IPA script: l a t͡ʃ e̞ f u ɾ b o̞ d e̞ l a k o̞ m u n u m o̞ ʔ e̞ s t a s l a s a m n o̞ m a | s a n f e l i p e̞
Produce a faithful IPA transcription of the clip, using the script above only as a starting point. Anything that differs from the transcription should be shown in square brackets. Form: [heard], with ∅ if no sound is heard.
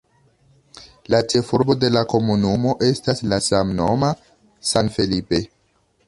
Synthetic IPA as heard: l a t͡ʃ e̞ f u ɾ b o̞ d e̞ l a k o̞ m u n u m o̞ ʔ e̞ s t a s l a s a m n o̞ m a | s a n f e l i p e̞

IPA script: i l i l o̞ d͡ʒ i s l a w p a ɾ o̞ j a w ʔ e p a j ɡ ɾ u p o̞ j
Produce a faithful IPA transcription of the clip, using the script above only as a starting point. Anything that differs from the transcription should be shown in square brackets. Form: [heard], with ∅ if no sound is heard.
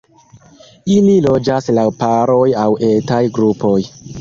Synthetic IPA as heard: i l i l o̞ d͡ʒ [a] s l a w p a ɾ o̞ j a w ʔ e [t] a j ɡ ɾ u p o̞ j

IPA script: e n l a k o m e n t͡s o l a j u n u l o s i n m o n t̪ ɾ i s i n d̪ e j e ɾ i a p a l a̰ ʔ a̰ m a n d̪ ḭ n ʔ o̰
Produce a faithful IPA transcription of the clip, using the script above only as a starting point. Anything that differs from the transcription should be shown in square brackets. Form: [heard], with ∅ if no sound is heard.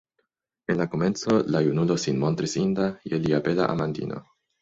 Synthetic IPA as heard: e n l a k o m e n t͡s o l a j u n u l o s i n m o n t̪ ɾ i s i n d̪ [a] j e [l] i a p [e] l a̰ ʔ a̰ m a n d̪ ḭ n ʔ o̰

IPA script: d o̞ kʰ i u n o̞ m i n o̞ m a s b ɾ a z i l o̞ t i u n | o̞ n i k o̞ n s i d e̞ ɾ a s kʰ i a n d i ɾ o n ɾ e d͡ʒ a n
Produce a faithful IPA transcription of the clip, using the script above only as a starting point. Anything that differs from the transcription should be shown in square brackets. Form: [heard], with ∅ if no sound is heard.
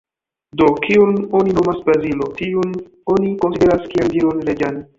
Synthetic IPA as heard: d o̞ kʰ i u n o̞ [n] i n o̞ m a s b ɾ a z i l o̞ t i u n | o̞ n i k o̞ n s i d e̞ ɾ a s [k] i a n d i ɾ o n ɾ e d͡ʒ a n

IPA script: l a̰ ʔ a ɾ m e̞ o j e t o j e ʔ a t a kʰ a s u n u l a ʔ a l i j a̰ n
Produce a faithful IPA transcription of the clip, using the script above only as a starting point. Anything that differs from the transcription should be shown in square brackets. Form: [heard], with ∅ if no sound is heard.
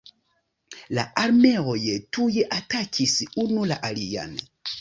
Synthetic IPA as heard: l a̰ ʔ a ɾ m e̞ o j e t [u] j e ʔ a t a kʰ [i] s u n u l a ʔ a l i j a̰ n

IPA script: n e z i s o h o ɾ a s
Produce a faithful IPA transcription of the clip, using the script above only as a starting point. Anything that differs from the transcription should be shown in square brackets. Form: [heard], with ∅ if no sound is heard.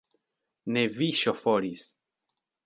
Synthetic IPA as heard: n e [v] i [ʃ] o [f] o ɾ [i] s

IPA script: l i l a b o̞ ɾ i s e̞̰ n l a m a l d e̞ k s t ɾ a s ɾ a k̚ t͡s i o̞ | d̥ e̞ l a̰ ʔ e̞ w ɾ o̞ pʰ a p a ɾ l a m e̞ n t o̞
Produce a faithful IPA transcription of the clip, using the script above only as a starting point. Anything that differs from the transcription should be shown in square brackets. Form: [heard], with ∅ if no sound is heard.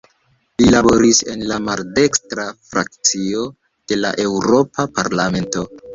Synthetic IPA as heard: l i l a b o̞ ɾ i s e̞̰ n l a m a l d e̞ k s t ɾ a [f] ɾ a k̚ t͡s i o̞ | d̥ e̞ l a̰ ʔ e̞ w ɾ o̞ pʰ a p a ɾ l a m e̞ n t o̞

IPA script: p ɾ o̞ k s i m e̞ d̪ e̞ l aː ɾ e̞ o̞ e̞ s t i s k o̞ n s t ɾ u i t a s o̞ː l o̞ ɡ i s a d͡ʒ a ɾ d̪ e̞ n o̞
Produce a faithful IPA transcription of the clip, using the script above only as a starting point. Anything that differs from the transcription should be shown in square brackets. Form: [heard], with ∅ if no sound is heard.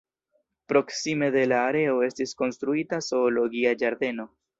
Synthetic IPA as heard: p ɾ o̞ k s i m e̞ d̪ e̞ l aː ɾ e̞ o̞ e̞ s t i s k o̞ n s t ɾ u i t a s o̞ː l o̞ ɡ i [∅] a d͡ʒ a ɾ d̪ e̞ n o̞

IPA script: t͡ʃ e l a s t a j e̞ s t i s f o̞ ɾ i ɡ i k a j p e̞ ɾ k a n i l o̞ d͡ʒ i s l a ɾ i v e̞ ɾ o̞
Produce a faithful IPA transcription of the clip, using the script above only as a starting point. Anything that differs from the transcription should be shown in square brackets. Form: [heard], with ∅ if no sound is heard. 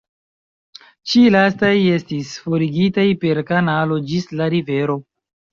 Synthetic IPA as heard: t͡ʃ [i] l a s t a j e̞ s t i s f o̞ ɾ i ɡ i [t] a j p e̞ ɾ k a n [a] l o̞ d͡ʒ i s l a ɾ i v e̞ ɾ o̞

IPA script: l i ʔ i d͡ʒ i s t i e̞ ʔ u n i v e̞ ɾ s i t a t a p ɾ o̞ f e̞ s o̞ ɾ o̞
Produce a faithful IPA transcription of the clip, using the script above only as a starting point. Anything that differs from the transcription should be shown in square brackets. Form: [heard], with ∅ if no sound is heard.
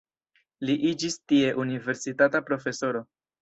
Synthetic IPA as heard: l i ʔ i d͡ʒ i s t i e̞ ʔ u n i v e̞ ɾ s i t a t a p ɾ o̞ f e̞ s o̞ ɾ o̞

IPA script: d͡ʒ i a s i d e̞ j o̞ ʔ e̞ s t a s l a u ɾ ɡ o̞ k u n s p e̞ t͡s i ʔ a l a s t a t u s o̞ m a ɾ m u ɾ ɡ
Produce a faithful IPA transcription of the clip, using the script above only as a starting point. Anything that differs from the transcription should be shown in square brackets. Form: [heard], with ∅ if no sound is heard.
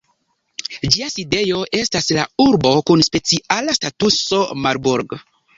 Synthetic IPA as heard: d͡ʒ i a s i d e̞ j o̞ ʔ e̞ s t a s l a u ɾ [b] o̞ k u n s p e̞ t͡s i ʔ a l a s t a t u s o̞ m a ɾ [b] u ɾ ɡ

